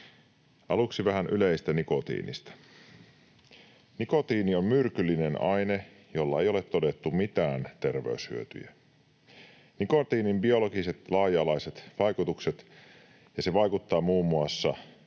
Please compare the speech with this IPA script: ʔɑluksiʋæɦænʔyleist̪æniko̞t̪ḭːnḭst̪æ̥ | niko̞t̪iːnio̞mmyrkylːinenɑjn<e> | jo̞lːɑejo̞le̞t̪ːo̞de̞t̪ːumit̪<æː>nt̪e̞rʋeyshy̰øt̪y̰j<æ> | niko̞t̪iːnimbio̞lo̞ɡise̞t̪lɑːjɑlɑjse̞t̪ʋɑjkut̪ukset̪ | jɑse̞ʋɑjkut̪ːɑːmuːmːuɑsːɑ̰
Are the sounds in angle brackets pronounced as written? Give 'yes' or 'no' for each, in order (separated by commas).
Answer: yes, yes, yes